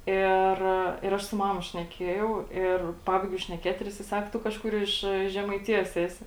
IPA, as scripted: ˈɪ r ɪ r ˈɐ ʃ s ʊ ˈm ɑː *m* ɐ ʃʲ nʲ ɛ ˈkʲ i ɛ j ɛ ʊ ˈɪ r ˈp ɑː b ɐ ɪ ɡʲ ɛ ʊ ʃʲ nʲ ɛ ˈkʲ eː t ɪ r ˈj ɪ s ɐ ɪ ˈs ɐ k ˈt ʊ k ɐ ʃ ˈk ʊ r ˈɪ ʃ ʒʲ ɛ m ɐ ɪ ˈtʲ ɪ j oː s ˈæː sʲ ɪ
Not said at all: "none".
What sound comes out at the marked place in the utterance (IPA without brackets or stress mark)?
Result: m